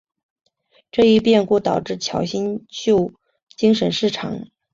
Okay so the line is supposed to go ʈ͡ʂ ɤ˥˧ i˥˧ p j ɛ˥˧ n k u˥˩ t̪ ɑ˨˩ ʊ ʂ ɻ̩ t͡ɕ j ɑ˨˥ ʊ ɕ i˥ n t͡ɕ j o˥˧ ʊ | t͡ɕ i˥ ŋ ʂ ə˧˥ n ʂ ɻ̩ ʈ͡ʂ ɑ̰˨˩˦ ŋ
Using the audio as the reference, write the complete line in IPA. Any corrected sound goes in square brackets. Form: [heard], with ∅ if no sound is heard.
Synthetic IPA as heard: ʈ͡ʂ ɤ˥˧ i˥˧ p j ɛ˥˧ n k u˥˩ t̪ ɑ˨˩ ʊ [ʈ͡ʂ] ɻ̩ [t͡ɕʰ] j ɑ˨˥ ʊ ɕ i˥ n t͡ɕ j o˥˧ ʊ | t͡ɕ i˥ ŋ ʂ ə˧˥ n ʂ ɻ̩ [ʈ͡ʂʰ] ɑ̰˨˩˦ ŋ